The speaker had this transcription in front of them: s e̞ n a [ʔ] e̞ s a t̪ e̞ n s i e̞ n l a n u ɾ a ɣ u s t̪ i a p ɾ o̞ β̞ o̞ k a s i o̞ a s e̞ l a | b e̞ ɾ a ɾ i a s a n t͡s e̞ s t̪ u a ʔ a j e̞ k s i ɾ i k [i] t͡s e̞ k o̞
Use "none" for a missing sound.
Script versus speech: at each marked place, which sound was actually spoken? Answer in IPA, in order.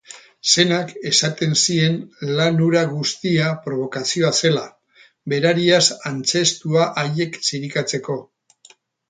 k, a

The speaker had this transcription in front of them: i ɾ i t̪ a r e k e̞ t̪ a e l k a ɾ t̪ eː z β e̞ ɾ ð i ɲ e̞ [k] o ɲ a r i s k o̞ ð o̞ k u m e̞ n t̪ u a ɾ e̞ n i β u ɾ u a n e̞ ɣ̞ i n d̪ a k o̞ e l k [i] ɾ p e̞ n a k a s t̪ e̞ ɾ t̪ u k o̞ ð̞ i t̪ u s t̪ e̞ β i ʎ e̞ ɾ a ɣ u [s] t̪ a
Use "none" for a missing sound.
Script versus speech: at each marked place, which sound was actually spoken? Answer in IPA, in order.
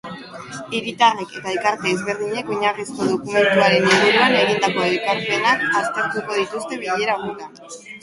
k, a, none

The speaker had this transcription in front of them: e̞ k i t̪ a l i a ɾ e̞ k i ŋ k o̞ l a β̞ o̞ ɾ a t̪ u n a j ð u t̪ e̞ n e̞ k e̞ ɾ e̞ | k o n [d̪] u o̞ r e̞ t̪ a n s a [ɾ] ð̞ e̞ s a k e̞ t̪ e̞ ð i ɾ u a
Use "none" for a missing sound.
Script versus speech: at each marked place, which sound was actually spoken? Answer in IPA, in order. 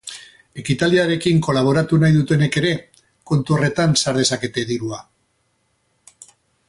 t̪, ɾ

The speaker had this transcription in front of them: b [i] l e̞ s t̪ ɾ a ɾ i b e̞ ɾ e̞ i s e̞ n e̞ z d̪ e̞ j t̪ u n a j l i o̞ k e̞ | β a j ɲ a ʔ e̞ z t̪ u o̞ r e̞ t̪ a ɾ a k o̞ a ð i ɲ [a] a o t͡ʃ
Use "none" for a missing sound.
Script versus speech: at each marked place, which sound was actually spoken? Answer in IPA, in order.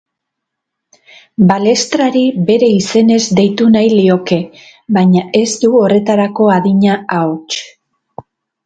a, a

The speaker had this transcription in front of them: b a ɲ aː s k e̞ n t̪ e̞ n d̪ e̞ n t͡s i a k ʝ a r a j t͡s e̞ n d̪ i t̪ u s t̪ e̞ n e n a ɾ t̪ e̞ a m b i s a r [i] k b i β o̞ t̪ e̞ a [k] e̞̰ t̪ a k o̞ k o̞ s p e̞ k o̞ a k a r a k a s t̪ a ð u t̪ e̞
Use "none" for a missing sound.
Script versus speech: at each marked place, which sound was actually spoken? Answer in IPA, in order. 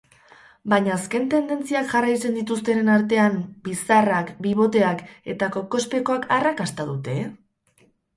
a, k

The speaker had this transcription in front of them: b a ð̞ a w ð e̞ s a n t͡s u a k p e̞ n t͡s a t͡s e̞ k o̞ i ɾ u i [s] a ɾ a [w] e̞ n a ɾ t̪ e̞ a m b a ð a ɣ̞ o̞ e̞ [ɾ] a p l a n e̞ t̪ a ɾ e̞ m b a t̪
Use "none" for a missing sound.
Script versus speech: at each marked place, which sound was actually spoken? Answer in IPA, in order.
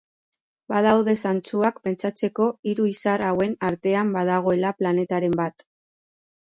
s, w, l

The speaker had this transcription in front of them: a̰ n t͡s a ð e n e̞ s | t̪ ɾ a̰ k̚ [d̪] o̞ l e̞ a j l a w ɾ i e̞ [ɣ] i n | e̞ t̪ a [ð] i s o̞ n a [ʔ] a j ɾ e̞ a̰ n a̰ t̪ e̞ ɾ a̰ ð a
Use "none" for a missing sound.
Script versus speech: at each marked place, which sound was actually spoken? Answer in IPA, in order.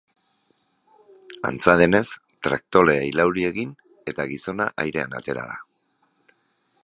t̪, ɣ, ɣ, ʔ

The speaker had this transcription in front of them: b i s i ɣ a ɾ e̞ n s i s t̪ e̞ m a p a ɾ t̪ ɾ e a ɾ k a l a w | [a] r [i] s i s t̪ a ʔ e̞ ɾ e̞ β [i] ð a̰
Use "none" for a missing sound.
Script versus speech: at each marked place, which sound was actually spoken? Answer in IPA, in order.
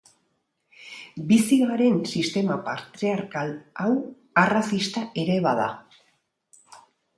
a, a, a

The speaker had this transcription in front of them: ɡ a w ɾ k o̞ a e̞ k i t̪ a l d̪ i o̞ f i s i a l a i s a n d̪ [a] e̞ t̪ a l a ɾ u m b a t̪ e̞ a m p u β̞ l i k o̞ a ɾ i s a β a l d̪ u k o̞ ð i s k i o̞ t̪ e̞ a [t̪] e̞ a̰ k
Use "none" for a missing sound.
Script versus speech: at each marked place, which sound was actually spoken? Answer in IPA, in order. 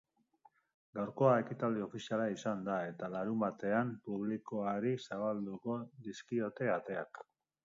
a, t̪

